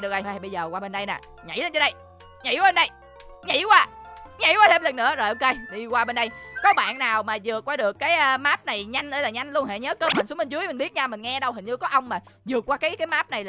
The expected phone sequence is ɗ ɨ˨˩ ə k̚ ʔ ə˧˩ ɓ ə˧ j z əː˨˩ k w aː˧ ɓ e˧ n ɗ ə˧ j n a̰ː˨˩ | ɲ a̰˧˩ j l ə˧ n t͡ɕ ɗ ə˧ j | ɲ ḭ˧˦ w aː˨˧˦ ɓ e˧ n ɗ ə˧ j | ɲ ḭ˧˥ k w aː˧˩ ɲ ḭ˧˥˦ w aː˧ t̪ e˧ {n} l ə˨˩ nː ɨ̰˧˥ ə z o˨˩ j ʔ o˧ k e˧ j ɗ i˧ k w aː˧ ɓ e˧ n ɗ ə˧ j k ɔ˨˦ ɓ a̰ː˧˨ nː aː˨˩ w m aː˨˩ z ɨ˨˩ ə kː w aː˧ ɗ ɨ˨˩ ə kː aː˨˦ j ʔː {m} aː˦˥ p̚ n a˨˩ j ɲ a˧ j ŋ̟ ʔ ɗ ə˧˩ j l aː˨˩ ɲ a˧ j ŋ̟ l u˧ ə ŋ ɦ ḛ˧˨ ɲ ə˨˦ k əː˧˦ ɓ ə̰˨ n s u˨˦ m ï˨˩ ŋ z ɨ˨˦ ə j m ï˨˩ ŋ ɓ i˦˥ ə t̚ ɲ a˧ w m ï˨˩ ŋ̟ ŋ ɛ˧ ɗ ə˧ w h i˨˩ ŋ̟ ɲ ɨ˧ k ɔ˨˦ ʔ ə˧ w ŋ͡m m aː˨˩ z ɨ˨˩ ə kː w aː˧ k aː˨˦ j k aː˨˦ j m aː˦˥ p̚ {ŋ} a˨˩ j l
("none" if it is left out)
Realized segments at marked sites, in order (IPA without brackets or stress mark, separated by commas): m, m, n